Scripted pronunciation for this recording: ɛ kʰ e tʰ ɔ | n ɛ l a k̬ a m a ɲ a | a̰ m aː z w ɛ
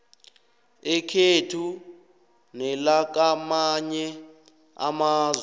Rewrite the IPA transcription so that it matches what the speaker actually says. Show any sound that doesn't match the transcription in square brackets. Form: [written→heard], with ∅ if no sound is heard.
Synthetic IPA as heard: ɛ kʰ e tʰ [ɔ→u] | n ɛ l a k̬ a m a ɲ [a→ɛ] | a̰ m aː z w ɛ